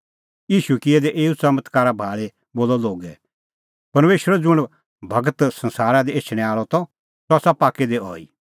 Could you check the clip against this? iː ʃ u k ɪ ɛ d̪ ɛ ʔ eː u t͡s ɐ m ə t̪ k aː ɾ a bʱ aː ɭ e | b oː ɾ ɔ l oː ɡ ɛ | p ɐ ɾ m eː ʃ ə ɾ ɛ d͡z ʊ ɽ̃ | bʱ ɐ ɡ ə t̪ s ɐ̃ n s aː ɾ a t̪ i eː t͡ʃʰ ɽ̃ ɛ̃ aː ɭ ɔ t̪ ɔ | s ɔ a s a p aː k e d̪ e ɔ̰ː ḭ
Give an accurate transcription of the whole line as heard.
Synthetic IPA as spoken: iː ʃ u k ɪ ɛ d̪ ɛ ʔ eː u t͡s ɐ m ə t̪ k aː ɾ a bʱ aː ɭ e | b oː l ɔ l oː ɡ ɛ | p ɐ ɾ m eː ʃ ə ɾ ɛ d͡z ʊ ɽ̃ | bʱ ɐ ɡ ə t̪ s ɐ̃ n s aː ɾ a d̪ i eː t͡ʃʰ ɽ̃ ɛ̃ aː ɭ ɔ t̪ ɔ | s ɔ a s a p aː k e d̪ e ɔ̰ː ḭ